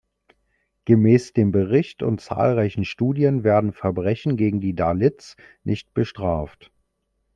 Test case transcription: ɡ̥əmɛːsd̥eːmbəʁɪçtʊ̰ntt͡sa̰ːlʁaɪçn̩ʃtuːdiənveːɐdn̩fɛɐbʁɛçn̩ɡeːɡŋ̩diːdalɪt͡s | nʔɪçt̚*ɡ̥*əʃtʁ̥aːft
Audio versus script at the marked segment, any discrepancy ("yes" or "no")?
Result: yes